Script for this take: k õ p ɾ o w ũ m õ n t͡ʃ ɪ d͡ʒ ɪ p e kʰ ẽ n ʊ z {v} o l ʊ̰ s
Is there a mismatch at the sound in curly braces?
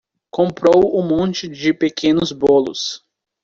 yes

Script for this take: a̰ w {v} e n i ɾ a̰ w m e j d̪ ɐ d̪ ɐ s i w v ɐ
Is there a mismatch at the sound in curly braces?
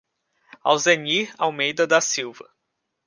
yes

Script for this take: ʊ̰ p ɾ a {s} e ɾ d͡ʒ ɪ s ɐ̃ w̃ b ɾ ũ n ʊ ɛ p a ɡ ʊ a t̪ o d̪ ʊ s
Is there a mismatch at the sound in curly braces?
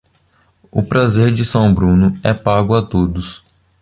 yes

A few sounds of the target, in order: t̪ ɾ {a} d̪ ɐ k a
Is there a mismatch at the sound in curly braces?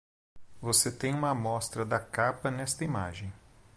yes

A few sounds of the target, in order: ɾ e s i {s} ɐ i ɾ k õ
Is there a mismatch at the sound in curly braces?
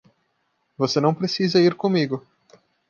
yes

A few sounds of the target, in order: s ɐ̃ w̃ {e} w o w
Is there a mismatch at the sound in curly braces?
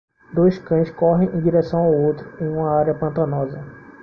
yes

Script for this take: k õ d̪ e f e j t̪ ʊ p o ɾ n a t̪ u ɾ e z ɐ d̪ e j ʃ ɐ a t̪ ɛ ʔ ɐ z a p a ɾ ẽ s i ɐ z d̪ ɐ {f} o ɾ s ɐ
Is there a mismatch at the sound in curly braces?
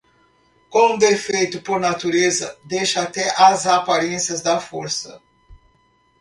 no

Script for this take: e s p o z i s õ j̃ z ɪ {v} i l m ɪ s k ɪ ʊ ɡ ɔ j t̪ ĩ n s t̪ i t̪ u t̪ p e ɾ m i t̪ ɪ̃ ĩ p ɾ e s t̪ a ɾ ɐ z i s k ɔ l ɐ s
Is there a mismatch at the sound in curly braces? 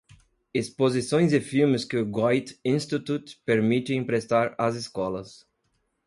yes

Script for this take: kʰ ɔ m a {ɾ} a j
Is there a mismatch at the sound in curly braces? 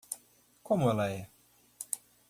yes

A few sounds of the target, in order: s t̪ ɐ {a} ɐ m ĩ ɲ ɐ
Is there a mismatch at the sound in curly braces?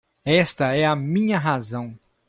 yes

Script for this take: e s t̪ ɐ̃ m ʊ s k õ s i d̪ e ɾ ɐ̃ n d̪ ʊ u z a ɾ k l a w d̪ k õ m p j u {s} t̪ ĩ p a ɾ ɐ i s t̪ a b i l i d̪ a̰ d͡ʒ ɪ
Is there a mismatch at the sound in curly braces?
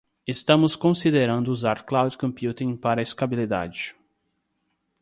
yes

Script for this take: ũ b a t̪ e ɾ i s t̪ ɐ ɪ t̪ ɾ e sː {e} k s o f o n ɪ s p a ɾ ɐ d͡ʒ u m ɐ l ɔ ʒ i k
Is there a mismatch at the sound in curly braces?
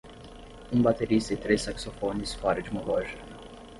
yes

